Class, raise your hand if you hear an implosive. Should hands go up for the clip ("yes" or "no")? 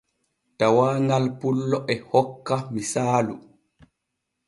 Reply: no